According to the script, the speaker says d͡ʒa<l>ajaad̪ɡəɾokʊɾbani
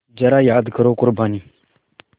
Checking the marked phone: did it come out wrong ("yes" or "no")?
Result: yes